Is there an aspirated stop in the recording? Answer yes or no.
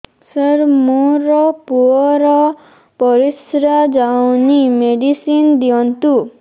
no